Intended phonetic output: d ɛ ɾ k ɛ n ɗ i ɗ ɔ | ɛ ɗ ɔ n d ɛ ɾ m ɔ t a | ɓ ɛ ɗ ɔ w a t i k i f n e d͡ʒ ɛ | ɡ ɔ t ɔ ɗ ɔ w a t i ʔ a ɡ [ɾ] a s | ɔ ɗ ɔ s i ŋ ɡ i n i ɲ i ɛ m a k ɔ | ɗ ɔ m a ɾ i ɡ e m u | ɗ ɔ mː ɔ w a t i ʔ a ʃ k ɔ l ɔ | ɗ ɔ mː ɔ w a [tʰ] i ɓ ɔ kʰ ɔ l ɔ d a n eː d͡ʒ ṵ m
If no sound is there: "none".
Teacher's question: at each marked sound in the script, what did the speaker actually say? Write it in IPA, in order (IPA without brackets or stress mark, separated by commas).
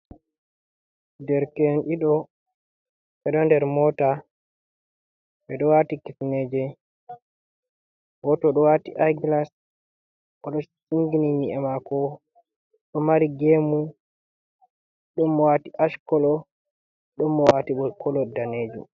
l, t